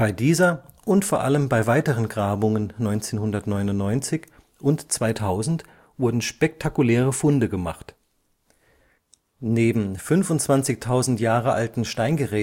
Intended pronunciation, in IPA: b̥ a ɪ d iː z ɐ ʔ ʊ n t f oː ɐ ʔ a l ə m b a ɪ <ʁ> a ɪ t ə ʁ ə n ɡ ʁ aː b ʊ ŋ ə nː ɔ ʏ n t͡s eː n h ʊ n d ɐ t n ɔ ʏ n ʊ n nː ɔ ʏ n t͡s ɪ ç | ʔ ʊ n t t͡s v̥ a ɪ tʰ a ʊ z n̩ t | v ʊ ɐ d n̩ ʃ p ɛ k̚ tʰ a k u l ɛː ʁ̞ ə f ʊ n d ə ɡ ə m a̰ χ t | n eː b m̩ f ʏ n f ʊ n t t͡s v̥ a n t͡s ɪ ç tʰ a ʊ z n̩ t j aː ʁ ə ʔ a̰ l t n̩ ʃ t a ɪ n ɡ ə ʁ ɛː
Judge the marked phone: incorrect: v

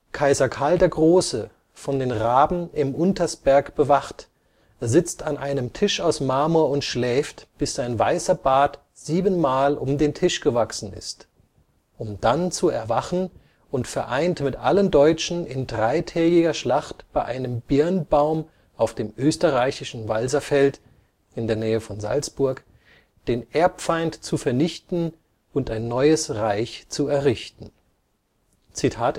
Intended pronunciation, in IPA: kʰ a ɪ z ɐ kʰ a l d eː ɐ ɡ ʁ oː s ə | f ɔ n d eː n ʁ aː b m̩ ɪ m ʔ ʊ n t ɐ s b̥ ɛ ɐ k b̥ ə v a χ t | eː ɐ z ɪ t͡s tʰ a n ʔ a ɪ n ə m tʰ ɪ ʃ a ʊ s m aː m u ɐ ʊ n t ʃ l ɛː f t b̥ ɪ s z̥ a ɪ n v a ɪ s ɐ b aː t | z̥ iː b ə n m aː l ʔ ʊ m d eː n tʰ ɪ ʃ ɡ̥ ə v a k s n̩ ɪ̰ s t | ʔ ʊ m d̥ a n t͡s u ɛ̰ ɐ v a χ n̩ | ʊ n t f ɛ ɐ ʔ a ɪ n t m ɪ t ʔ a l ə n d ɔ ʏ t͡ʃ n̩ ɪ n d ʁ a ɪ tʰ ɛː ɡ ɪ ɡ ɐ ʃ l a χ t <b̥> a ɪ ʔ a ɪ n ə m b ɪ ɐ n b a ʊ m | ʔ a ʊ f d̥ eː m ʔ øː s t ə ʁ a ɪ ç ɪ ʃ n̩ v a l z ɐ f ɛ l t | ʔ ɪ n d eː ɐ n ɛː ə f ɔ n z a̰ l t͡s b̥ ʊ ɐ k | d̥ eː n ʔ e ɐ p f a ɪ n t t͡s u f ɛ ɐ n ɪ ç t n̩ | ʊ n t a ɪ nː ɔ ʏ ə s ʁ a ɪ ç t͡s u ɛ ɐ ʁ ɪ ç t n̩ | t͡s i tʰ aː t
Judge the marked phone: correct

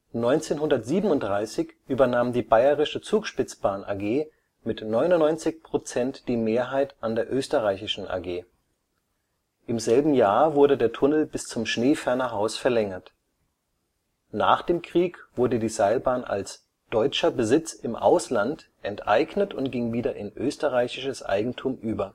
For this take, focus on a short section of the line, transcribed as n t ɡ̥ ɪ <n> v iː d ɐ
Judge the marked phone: incorrect: ŋ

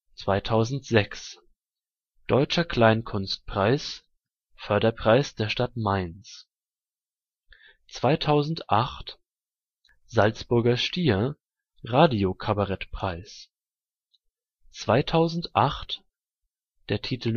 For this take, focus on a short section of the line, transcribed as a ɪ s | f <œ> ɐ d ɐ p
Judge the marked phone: correct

